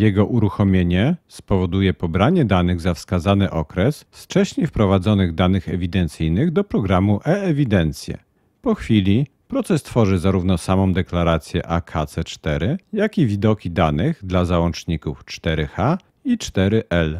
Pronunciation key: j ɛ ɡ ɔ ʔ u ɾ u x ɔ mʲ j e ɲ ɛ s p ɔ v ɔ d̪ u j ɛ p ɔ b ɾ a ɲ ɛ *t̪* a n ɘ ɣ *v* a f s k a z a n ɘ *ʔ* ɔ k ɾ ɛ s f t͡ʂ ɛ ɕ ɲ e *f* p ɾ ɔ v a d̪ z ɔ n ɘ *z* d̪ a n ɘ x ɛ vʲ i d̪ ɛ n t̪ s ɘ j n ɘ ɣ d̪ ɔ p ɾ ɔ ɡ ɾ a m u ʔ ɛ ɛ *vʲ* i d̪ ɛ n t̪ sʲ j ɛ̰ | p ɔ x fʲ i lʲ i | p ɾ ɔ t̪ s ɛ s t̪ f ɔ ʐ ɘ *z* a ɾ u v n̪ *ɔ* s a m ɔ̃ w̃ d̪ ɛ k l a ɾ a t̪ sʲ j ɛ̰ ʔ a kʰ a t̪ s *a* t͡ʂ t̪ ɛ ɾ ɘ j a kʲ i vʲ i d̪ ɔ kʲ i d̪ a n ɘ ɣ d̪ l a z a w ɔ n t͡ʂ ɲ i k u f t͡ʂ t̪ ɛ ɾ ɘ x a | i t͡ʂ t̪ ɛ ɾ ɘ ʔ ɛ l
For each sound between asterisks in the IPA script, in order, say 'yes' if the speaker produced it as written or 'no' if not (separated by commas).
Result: no, no, yes, yes, no, yes, yes, yes, no